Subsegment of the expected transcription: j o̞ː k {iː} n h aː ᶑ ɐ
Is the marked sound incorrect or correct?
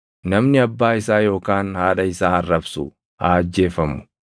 incorrect